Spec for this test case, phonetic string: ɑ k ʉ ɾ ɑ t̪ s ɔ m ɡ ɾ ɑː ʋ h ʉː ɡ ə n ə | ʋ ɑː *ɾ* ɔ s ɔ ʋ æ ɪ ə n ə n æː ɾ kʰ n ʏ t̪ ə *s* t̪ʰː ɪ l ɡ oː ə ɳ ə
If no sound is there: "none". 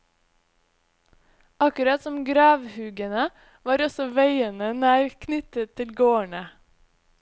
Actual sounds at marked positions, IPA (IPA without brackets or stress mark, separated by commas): ɾ, none